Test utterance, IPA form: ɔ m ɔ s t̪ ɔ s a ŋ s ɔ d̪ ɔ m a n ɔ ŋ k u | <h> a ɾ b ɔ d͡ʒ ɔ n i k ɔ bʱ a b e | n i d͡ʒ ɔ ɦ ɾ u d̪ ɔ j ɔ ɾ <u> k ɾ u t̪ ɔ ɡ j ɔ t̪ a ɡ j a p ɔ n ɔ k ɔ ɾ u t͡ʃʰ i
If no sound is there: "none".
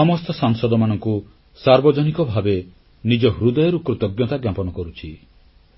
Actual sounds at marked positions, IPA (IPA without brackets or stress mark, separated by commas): s, u